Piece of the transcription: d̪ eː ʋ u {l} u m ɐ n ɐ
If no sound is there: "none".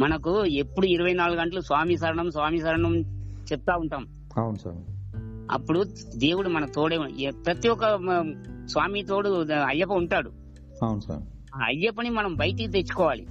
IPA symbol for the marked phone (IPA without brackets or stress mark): ɽ